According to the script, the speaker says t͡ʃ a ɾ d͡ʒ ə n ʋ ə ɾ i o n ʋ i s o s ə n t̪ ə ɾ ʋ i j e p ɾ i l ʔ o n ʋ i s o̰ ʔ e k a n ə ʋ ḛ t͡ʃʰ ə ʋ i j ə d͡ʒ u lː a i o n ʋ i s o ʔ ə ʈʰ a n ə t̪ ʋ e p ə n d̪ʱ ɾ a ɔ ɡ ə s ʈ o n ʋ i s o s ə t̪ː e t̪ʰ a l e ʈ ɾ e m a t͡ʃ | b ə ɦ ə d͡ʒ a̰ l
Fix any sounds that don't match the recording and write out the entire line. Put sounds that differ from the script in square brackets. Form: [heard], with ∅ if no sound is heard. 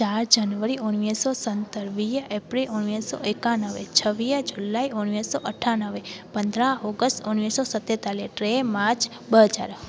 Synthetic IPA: t͡ʃ a ɾ d͡ʒ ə n ʋ ə ɾ i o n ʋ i s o s ə n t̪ ə ɾ ʋ i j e p ɾ i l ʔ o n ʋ i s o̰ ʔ e k a n ə ʋ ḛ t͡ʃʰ ə ʋ i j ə d͡ʒ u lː a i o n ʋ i s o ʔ ə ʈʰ a n ə [∅] ʋ e p ə n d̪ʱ ɾ a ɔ ɡ ə s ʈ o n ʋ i s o s ə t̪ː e [t̪] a l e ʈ ɾ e m a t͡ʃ | b ə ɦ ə d͡ʒ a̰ [ɾ]

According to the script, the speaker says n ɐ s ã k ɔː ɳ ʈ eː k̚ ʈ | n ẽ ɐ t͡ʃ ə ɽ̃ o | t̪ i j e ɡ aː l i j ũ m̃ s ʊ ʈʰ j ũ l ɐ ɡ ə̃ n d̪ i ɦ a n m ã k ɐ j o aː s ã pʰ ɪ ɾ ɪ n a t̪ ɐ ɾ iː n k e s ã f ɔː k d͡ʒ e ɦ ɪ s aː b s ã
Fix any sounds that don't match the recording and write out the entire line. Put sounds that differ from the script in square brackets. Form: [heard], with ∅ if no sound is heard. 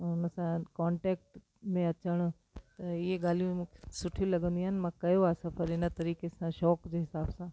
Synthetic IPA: n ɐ s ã k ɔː ɳ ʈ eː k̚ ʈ | [m] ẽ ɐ t͡ʃ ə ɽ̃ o | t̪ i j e ɡ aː l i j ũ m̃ s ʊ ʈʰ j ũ l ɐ ɡ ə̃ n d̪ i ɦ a n m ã k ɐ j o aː s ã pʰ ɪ ɾ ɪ n a t̪ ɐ ɾ iː [∅] k e s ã [ʃ] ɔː k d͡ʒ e ɦ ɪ s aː b s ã

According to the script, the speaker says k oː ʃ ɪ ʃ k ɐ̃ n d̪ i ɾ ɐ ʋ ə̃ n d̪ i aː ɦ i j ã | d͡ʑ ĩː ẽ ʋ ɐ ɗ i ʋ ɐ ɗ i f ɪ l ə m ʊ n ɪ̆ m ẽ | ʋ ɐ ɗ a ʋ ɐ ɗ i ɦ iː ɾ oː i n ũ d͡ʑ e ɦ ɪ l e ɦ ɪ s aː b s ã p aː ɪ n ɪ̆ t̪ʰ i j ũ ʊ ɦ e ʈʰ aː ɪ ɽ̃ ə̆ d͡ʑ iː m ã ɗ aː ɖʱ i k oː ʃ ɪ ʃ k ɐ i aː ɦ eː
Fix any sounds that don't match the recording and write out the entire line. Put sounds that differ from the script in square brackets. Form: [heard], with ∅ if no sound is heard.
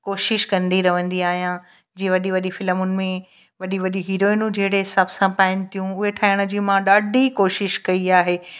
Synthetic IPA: k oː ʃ ɪ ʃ k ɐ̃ n d̪ i ɾ ɐ ʋ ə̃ n d̪ i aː ɦ i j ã | d͡ʑ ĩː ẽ ʋ ɐ ɗ i ʋ ɐ ɗ i f ɪ l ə m ʊ n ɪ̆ m ẽ | ʋ ɐ ɗ [i] ʋ ɐ ɗ i ɦ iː ɾ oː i n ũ d͡ʑ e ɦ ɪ [ɽ] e ɦ ɪ s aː b s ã p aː ɪ n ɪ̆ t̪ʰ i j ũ ʊ ɦ e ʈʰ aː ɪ ɽ̃ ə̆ d͡ʑ iː m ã ɗ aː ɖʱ i k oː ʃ ɪ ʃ k ɐ i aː ɦ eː

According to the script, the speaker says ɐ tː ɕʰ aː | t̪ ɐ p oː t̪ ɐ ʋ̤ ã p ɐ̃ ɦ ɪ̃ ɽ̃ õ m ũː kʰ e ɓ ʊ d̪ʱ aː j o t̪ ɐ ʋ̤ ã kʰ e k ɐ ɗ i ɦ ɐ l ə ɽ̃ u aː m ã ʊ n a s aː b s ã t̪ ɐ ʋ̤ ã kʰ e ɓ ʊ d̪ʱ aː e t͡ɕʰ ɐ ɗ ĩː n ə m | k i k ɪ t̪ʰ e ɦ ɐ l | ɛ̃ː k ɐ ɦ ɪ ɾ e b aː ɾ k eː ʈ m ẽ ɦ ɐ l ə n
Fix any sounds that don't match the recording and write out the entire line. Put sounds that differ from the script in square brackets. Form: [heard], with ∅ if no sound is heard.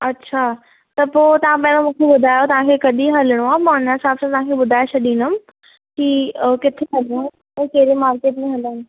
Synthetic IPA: ɐ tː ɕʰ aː | t̪ ɐ p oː t̪ ɐ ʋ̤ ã p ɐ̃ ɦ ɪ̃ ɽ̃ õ m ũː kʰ e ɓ ʊ d̪ʱ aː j o t̪ ɐ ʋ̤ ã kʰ e k ɐ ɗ i ɦ ɐ l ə ɽ̃ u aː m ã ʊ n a s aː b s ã t̪ ɐ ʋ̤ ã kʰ e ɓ ʊ d̪ʱ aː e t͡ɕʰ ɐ ɗ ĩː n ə m | k i k ɪ t̪ʰ e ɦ ɐ l | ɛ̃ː k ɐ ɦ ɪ ɾ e [m] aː ɾ k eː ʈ m ẽ ɦ ɐ l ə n

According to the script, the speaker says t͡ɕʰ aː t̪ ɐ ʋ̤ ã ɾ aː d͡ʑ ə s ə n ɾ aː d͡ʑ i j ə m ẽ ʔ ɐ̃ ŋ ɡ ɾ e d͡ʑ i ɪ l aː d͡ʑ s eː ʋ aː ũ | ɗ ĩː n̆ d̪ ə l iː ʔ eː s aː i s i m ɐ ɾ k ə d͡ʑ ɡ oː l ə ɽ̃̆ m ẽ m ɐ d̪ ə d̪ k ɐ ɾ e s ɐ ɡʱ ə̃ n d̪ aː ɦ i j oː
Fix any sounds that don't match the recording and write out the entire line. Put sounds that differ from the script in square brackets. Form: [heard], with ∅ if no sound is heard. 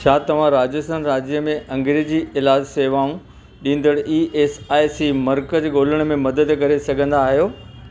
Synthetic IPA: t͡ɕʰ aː t̪ ɐ ʋ̤ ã ɾ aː d͡ʑ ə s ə n ɾ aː d͡ʑ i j ə m ẽ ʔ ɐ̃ ŋ ɡ ɾ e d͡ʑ i ɪ l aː d͡ʑ s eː ʋ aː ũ | ɗ ĩː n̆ d̪ ə [ɽ] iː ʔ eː s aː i s i m ɐ ɾ k ə d͡ʑ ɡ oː l ə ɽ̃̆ m ẽ m ɐ d̪ ə d̪ k ɐ ɾ e s ɐ ɡʱ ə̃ n d̪ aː ɦ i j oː

